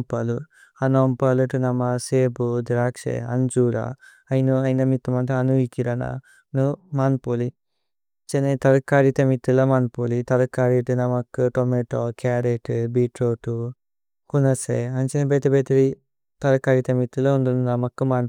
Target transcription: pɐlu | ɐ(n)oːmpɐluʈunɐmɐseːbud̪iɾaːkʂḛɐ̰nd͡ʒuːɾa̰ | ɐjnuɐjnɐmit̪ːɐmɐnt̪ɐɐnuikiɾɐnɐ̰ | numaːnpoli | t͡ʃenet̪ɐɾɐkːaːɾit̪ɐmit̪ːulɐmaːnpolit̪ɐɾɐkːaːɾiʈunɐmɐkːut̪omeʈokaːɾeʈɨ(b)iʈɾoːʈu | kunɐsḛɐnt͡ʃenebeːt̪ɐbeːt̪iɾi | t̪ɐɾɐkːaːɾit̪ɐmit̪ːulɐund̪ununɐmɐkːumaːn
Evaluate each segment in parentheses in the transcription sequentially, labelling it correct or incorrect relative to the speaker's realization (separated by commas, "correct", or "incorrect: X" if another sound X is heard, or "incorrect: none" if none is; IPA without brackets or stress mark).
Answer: correct, correct